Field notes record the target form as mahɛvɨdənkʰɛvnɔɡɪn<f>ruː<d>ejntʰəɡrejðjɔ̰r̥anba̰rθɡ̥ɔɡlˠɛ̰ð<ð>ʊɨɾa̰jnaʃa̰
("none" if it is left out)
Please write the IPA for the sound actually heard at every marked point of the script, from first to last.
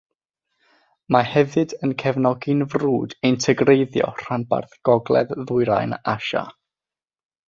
v, d, ð

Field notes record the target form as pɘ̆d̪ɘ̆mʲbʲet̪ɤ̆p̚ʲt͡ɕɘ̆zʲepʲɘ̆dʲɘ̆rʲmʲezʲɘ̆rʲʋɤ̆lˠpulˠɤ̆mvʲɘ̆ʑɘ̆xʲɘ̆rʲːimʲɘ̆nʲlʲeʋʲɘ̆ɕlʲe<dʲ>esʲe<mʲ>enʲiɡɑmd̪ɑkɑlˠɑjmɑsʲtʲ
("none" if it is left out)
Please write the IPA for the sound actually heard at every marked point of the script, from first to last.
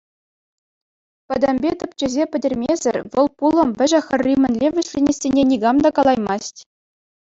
nʲ, nʲ

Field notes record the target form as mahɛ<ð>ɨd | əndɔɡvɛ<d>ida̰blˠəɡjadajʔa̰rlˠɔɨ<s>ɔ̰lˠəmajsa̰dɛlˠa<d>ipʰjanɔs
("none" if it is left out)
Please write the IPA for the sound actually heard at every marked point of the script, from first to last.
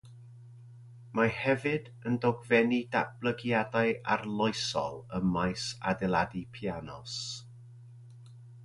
v, n, s, d

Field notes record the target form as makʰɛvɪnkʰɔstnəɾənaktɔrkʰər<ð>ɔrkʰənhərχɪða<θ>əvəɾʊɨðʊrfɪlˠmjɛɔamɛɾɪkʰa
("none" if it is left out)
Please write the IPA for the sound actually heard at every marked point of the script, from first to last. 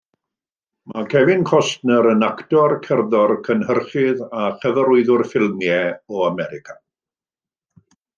ð, χ

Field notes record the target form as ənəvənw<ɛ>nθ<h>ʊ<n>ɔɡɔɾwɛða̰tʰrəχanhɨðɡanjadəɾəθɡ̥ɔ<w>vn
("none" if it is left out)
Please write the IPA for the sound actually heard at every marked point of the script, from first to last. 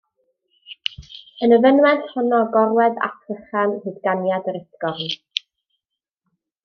ɛ, h, n, none

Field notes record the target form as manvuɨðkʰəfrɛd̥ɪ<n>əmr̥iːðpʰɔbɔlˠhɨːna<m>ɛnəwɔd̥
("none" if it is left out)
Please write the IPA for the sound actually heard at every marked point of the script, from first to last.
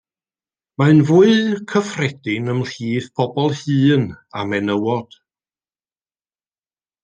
n, m

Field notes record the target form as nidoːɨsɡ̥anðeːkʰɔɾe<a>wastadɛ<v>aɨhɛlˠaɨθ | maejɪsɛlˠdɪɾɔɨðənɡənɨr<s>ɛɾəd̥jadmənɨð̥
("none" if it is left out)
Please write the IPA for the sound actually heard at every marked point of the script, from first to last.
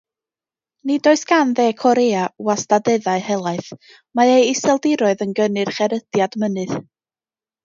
a, ð, χ

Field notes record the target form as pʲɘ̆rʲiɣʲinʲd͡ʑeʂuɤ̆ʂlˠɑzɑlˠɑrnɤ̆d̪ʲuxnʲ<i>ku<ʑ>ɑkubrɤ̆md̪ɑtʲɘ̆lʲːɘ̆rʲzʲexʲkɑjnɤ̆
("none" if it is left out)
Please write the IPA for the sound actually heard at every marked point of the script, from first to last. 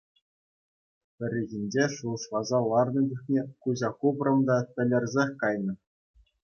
e, ʑ

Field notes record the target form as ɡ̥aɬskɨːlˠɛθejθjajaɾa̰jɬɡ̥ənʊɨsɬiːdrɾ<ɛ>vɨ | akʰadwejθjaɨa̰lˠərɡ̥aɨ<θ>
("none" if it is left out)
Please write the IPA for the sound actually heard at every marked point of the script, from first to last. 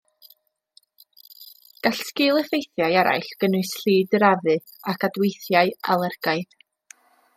a, ð

